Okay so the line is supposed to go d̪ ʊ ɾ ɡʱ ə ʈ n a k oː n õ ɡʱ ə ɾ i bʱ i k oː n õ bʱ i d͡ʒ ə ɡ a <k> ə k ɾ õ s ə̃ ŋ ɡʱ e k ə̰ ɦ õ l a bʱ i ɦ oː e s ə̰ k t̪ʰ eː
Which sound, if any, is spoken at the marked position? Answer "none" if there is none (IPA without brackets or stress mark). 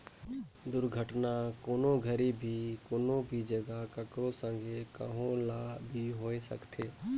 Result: k